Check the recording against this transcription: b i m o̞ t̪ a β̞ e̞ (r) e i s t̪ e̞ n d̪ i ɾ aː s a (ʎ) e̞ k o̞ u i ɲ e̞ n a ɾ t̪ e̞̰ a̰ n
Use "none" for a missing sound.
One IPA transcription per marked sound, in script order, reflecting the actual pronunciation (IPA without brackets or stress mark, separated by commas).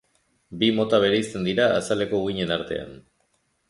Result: ɾ, l